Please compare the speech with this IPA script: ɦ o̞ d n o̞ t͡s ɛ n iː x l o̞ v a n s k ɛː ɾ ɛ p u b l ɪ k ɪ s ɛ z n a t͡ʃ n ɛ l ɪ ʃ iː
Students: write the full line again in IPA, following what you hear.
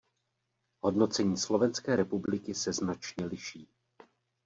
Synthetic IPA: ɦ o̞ d n o̞ t͡s ɛ ɲ iː s l o̞ v ɛ n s k ɛː ɾ ɛ p u b l ɪ k ɪ s ɛ z n a t͡ʃ ɲ ɛ l ɪ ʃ iː